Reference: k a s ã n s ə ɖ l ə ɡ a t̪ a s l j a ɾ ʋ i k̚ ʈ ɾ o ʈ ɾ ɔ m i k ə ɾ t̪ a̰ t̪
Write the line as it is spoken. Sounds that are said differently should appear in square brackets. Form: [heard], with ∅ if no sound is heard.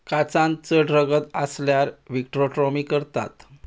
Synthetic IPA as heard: k a [t͡s] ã n [t͡s] ə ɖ [ɾ] ə ɡ [ə] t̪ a s l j a ɾ ʋ i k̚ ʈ ɾ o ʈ ɾ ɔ m i k ə ɾ t̪ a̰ t̪